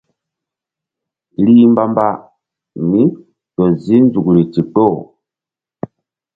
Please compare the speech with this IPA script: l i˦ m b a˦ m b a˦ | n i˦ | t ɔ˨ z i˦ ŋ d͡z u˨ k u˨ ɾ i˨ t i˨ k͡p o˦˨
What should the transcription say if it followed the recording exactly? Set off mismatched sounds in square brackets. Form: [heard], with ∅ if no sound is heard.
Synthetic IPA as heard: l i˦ m b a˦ m b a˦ | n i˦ | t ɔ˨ z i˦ [n] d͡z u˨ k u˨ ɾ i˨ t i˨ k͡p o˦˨

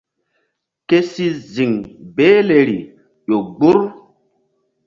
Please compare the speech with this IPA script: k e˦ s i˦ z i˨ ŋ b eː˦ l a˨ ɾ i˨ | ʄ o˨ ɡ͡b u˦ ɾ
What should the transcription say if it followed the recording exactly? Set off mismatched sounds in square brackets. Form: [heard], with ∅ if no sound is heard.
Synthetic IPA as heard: k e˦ s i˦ z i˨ ŋ b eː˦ l [e˨] ɾ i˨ | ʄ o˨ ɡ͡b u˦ ɾ

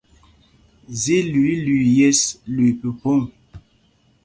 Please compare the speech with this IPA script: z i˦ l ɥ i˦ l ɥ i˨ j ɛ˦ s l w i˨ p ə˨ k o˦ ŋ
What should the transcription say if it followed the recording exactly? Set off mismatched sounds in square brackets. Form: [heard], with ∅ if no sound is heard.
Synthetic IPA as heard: z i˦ l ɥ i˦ l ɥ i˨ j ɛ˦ s l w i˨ p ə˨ [p] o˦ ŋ

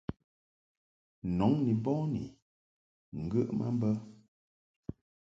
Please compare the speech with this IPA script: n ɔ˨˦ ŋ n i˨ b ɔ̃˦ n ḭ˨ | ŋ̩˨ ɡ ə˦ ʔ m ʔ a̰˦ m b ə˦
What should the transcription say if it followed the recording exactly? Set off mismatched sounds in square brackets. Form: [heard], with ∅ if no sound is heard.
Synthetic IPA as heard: n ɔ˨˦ ŋ n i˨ b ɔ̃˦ n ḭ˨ | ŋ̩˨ ɡ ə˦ ʔ m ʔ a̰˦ m b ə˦

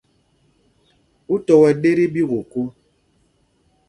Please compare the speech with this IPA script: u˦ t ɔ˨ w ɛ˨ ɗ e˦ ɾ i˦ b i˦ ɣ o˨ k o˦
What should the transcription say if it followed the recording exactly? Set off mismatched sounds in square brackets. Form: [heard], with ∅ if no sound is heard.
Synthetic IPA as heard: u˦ t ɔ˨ w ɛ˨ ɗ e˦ ɾ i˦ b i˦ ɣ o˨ k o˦

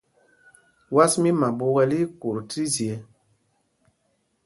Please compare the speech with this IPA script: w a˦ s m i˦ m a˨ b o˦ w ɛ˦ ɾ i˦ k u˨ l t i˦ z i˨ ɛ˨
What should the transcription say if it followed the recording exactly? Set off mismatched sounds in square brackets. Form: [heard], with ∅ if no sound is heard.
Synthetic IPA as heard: w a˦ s m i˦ m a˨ b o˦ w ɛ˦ [l] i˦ k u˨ [ɾ] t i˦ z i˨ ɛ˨

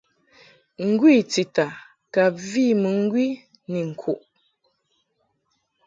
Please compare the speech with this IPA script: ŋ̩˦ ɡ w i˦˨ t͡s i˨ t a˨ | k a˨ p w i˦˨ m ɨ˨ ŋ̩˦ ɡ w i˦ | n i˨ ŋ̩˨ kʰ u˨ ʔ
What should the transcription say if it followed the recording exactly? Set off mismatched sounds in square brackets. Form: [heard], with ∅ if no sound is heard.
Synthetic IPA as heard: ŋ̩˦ ɡ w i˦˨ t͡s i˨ t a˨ | k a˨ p [v] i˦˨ m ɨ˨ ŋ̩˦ ɡ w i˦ | n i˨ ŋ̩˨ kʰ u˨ ʔ

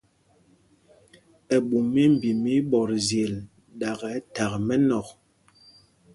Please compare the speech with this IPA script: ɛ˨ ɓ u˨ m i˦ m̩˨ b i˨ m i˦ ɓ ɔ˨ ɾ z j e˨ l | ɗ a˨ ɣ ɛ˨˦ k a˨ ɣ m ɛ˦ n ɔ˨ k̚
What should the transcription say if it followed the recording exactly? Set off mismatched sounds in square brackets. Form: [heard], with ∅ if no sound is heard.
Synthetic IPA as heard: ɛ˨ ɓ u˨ m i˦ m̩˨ b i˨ m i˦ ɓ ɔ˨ ɾ z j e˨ l | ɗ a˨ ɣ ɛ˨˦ [t] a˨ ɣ m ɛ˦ n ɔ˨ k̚

